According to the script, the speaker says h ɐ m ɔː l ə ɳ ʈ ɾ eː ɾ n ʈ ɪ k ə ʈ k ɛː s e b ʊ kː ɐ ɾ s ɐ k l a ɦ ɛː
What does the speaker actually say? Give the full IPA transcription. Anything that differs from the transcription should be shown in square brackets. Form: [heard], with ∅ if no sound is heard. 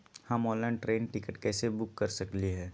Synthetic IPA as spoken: h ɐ m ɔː l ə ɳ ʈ ɾ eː [∅] n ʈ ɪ k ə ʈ k ɛː s e b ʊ kː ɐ ɾ s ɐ k l [i] ɦ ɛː